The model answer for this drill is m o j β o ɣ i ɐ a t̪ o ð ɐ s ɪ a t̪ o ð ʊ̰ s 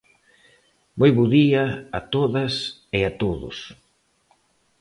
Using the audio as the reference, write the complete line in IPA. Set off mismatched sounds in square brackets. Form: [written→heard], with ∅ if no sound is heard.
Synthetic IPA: m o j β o [ɣ→ð] i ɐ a t̪ o ð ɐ s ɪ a t̪ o ð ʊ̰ s